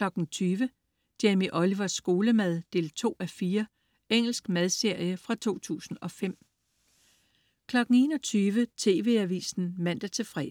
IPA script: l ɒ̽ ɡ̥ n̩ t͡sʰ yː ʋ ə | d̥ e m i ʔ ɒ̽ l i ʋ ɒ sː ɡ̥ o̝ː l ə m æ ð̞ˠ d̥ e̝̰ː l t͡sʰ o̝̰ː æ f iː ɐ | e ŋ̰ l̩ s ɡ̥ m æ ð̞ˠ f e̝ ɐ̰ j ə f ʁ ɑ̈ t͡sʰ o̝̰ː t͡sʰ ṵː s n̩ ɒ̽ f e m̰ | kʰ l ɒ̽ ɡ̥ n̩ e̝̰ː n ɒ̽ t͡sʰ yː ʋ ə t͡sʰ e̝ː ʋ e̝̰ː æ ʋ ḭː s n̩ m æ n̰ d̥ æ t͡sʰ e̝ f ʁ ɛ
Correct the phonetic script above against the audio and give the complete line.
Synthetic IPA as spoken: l ɒ̽ ɡ̥ n̩ t͡sʰ yː ʋ ə | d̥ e m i ʔ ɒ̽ l i ʋ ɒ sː ɡ̥ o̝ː l ə m æ ð̞ˠ d̥ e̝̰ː l t͡sʰ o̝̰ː æ f iː ɐ | e ŋ̰ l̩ s ɡ̥ m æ ð̞ˠ s e̝ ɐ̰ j ə f ʁ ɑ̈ t͡sʰ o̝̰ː t͡sʰ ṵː s n̩ ɒ̽ f e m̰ | kʰ l ɒ̽ ɡ̥ n̩ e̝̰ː n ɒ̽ t͡sʰ yː ʋ ə t͡sʰ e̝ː ʋ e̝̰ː æ ʋ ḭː s n̩ m æ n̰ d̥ æ t͡sʰ e̝ f ʁ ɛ